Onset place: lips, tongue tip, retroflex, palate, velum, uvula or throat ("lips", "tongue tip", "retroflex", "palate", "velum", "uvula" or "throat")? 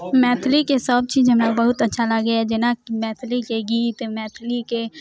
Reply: lips